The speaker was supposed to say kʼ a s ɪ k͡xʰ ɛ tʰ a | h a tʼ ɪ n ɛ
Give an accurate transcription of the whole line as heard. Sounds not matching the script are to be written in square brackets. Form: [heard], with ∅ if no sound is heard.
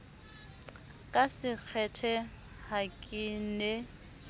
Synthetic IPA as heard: kʼ a s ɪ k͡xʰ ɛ tʰ [ɛ] | h a [kʼ] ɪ n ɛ